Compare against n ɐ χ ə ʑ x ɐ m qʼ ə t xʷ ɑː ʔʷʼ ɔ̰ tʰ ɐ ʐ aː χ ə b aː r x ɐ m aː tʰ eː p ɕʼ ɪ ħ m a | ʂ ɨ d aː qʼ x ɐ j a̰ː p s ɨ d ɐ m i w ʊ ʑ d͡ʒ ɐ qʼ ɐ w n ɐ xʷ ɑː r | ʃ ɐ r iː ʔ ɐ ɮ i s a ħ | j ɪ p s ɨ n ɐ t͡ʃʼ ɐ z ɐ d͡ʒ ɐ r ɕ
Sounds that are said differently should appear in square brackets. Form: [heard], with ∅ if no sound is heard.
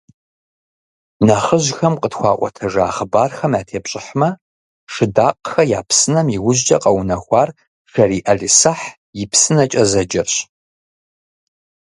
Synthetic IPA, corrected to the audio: n ɐ χ ə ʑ x ɐ m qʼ ə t xʷ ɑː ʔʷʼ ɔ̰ tʰ ɐ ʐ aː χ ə b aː r x ɐ m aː tʰ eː p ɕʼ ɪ ħ m [ɐ] | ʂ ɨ d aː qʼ x ɐ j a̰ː p s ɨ [n] ɐ m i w ʊ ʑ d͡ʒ ɐ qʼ ɐ w n ɐ xʷ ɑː r | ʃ ɐ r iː ʔ ɐ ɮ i s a ħ | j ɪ p s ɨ n ɐ t͡ʃʼ ɐ z ɐ d͡ʒ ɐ r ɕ

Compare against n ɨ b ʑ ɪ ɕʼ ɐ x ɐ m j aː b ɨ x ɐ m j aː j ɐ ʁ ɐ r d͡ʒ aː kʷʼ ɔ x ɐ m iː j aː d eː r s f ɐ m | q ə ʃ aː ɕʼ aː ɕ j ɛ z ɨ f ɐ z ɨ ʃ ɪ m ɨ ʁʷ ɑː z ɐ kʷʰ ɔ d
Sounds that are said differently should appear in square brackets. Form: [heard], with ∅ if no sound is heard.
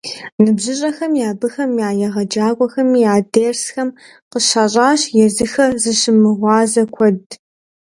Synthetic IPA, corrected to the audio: n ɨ b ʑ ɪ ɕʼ ɐ x ɐ m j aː b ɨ x ɐ m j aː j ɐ ʁ ɐ [∅] d͡ʒ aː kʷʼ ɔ x ɐ m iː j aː d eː r s [x] ɐ m | q ə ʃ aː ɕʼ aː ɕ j ɛ z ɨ [x] ɐ z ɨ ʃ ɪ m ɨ ʁʷ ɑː z ɐ kʷʰ ɔ d

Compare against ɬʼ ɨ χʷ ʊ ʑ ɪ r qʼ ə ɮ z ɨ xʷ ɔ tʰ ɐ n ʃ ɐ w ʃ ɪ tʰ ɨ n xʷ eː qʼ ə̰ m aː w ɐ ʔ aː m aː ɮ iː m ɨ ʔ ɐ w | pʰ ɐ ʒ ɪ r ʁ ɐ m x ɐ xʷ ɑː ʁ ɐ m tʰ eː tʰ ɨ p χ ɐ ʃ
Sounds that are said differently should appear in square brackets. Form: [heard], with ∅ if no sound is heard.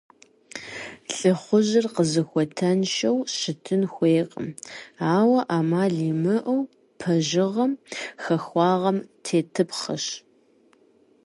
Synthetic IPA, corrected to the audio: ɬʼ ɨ χʷ ʊ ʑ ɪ r [q] ə [∅] z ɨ xʷ ɔ tʰ ɐ n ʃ ɐ w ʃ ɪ tʰ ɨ n xʷ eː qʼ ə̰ m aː w ɐ ʔ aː m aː ɮ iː m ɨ ʔ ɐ w | pʰ ɐ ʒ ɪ [∅] ʁ ɐ m x ɐ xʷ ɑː ʁ ɐ m tʰ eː tʰ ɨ p χ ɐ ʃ

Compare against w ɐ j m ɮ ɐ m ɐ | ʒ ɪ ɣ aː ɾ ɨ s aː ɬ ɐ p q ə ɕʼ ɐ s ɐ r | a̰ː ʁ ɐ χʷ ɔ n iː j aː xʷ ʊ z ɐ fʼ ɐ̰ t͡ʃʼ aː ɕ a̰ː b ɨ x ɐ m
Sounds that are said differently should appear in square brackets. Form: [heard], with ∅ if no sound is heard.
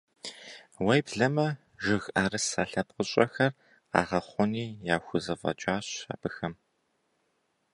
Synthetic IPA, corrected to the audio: w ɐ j [b] ɮ ɐ m ɐ | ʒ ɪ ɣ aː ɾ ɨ s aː ɬ ɐ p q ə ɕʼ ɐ [x] ɐ r | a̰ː ʁ ɐ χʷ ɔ n iː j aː xʷ ʊ z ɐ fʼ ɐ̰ t͡ʃʼ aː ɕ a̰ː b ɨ x ɐ m

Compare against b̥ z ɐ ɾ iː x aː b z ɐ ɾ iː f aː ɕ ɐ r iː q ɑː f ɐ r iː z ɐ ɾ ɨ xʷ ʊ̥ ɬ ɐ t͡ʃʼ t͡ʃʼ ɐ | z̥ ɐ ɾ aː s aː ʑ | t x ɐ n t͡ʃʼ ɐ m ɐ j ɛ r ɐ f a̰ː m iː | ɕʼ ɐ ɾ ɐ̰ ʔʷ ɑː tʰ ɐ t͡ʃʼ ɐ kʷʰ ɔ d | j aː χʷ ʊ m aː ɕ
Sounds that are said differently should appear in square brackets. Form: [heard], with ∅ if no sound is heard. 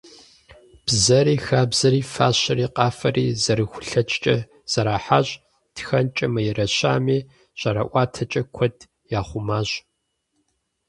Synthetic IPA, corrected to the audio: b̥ z ɐ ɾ iː x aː b z ɐ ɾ iː f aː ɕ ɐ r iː q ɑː f ɐ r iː z ɐ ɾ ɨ xʷ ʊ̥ ɬ ɐ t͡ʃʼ t͡ʃʼ ɐ | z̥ ɐ ɾ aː [ħ] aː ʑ | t x ɐ n t͡ʃʼ ɐ m ɐ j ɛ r ɐ [ɕ] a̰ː m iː | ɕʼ ɐ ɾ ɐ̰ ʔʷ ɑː tʰ ɐ t͡ʃʼ ɐ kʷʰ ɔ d | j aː χʷ ʊ m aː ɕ

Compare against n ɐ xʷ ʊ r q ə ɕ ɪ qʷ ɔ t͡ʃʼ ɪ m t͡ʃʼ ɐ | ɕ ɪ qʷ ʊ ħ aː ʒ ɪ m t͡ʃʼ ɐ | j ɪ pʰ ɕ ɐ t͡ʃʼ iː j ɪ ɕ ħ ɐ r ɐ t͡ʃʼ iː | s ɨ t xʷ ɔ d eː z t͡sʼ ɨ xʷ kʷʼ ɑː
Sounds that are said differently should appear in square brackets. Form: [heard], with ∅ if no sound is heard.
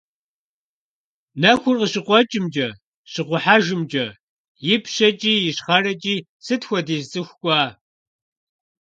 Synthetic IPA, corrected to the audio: n ɐ xʷ ʊ r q ə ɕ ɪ qʷ ɔ t͡ʃʼ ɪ m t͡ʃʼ ɐ | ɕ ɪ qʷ ʊ ħ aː ʒ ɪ m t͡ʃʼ ɐ | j ɪ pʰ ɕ ɐ t͡ʃʼ iː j ɪ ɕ [χ] ɐ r ɐ t͡ʃʼ iː | s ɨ t xʷ ɔ d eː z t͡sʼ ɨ xʷ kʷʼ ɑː

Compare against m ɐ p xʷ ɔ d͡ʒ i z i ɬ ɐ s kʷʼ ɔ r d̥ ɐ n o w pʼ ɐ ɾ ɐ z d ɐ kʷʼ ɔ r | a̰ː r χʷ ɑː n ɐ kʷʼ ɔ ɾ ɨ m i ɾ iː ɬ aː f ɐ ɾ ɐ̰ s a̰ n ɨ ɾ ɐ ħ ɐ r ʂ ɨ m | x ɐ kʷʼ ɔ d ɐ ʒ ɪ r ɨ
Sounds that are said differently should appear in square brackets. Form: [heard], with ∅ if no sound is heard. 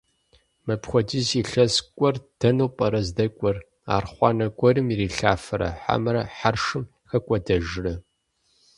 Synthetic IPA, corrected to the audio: m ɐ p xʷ ɔ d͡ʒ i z i ɬ ɐ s kʷʼ ɔ r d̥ ɐ n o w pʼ ɐ ɾ ɐ z d ɐ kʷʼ ɔ r | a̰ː r χʷ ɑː n ɐ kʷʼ ɔ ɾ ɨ m i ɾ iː ɬ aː f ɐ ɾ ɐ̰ [ħ] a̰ [m] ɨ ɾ ɐ ħ [a] r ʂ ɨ m | x ɐ kʷʼ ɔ d ɐ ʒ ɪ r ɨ

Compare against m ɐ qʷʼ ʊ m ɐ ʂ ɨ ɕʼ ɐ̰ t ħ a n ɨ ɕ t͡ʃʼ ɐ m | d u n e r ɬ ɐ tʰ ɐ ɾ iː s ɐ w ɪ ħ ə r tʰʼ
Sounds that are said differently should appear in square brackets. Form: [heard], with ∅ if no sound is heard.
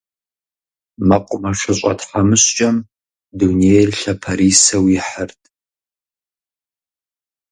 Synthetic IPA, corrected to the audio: m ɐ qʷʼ ʊ m ɐ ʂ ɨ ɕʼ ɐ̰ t ħ a [m] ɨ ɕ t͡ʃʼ ɐ m | d u n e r ɬ ɐ [pʰ] ɐ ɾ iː s ɐ w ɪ ħ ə r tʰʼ

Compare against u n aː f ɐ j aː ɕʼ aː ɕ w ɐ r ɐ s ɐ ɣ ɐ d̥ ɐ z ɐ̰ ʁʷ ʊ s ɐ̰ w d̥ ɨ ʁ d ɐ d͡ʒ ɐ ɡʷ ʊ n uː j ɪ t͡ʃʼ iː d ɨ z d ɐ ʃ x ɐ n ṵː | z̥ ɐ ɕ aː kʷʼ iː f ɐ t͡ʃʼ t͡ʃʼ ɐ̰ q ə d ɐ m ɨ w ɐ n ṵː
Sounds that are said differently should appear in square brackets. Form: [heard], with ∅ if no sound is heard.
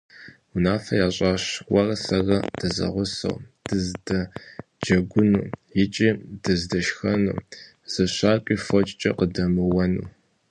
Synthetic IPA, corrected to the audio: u n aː f ɐ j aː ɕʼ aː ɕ w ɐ r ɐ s ɐ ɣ ɐ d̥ ɐ z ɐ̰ ʁʷ ʊ s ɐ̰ w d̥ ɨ [z] d ɐ d͡ʒ ɐ ɡʷ ʊ n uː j ɪ t͡ʃʼ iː d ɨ z d ɐ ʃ x ɐ n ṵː | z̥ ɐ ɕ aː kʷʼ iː f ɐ t͡ʃʼ t͡ʃʼ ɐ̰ q ə d ɐ m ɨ w ɐ n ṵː

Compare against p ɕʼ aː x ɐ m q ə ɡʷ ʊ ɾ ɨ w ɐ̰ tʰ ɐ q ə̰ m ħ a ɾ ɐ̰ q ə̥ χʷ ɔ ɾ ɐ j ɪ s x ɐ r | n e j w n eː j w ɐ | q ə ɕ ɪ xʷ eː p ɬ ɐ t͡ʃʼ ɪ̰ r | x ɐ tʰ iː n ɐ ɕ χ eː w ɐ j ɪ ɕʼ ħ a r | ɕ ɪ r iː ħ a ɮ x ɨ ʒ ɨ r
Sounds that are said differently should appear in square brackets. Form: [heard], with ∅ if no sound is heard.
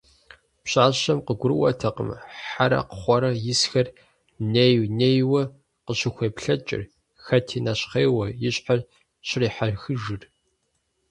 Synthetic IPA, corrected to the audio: p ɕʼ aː [ɕ] ɐ m q ə ɡʷ ʊ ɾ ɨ w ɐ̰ tʰ ɐ q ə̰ m ħ a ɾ ɐ̰ q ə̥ χʷ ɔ ɾ ɐ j ɪ s x ɐ r | n e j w n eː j w ɐ | q ə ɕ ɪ xʷ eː p ɬ ɐ t͡ʃʼ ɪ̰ r | x ɐ tʰ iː n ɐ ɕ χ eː w ɐ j ɪ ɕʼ ħ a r | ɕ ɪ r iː ħ a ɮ x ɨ ʒ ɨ r

